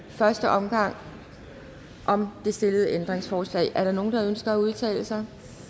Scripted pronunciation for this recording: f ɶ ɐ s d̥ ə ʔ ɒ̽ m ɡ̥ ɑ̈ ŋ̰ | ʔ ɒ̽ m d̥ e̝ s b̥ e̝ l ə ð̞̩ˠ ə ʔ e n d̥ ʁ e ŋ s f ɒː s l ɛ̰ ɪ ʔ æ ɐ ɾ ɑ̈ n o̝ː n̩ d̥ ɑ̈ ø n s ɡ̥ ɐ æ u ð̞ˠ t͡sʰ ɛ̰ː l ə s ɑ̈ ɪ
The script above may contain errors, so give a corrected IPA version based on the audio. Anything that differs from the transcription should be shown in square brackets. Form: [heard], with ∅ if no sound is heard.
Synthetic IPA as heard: f ɶ ɐ s d̥ ə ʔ ɒ̽ m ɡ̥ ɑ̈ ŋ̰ | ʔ ɒ̽ m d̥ e̝ s [d̥] e̝ l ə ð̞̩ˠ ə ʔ e n d̥ ʁ e ŋ s f ɒː s l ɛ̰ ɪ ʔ æ ɐ ɾ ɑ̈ n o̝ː n̩ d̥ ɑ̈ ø n s ɡ̥ ɐ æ u ð̞ˠ t͡sʰ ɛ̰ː l ə s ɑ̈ ɪ